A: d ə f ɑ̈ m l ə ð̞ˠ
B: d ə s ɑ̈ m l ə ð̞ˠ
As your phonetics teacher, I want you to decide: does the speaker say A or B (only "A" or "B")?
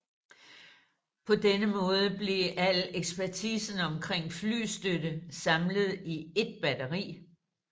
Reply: B